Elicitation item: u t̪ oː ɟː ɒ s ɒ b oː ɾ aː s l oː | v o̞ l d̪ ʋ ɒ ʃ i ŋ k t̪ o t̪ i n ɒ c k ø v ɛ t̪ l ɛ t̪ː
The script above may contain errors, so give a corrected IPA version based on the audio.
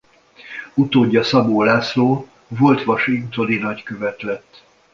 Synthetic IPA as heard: u t̪ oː ɟː ɒ s ɒ b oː l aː s l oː | v o̞ l t̪ ʋ ɒ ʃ i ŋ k t̪ o d̪ i n ɒ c k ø v ɛ t̪ l ɛ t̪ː